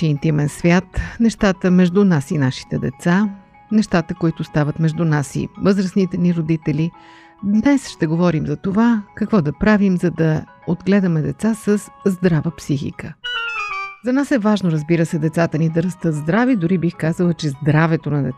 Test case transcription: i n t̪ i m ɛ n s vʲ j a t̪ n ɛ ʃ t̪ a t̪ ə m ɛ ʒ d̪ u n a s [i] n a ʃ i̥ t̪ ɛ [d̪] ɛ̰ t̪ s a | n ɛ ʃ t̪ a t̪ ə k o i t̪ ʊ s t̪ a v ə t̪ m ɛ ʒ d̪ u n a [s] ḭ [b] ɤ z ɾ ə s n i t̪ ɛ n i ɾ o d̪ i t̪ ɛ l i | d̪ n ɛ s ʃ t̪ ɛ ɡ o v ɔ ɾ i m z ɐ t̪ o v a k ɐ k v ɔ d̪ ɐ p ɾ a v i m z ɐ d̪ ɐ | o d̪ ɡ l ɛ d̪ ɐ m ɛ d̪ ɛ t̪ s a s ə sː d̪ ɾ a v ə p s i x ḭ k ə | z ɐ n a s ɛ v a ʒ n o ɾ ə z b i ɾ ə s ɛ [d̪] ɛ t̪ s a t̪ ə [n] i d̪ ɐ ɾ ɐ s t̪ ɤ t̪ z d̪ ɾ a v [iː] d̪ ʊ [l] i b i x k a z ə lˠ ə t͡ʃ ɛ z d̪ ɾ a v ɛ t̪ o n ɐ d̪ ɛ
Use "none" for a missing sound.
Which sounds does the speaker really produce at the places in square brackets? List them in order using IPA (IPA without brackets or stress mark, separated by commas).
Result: i, d̪, s, v, d̪, n, i, ɾ